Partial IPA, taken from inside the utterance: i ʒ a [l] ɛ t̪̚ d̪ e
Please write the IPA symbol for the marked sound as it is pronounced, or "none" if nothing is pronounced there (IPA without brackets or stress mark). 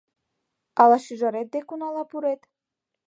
ɾ